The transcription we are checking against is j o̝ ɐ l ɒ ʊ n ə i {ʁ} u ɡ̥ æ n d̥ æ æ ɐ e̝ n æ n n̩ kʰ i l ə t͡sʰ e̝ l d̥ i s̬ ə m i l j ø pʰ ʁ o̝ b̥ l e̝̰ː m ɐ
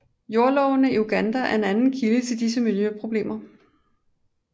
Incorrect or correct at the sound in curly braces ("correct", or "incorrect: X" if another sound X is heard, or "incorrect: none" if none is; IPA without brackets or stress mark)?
incorrect: none